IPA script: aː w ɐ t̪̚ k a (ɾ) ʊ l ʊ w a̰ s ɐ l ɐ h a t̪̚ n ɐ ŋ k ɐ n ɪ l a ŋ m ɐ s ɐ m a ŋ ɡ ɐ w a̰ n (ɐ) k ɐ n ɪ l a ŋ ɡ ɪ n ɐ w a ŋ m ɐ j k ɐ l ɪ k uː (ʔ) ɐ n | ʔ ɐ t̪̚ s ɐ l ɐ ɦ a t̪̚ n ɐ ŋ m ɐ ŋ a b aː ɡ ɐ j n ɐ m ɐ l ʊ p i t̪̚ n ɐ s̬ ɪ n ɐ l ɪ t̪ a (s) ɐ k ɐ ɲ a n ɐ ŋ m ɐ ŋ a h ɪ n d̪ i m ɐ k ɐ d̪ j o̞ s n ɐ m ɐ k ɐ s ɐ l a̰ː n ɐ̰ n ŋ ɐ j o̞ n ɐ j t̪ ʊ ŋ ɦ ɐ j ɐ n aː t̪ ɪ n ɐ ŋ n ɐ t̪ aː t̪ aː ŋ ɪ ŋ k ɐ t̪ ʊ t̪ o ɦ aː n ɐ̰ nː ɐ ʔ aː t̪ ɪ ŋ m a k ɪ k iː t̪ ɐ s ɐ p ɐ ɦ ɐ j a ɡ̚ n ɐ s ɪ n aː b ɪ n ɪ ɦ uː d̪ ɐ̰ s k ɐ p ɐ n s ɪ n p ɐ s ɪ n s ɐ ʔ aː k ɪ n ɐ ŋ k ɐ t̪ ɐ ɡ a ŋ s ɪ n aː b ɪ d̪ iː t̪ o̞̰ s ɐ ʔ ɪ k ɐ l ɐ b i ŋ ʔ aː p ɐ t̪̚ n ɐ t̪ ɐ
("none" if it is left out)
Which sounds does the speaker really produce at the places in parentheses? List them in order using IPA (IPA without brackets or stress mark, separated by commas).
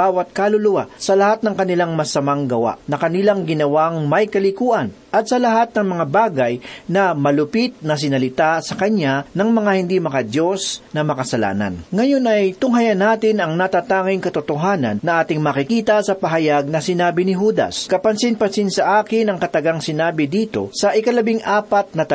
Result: l, ɐ, ʔ, s